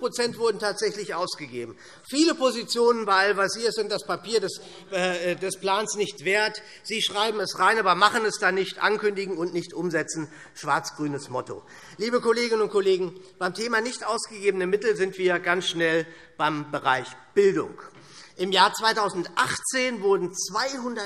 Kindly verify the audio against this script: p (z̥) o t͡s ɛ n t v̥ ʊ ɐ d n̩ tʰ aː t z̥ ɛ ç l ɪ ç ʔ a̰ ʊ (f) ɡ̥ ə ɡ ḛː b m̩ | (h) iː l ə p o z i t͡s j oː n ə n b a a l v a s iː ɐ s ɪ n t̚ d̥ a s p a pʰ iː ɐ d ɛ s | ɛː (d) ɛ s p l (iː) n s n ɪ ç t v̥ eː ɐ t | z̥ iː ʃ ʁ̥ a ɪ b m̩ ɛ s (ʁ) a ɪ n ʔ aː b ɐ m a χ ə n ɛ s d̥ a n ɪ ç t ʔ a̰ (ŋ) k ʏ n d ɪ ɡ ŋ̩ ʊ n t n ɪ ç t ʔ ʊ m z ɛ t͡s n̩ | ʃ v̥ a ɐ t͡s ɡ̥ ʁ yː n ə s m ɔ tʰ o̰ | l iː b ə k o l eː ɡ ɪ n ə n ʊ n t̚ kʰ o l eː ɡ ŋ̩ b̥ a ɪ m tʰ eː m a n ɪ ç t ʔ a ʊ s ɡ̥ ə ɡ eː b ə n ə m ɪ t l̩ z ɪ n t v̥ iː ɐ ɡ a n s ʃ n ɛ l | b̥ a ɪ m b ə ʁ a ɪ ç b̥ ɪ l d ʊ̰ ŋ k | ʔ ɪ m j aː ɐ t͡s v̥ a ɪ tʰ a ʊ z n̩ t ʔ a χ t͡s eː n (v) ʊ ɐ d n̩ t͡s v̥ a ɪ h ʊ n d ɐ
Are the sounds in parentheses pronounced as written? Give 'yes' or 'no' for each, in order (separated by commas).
no, no, no, yes, no, yes, no, yes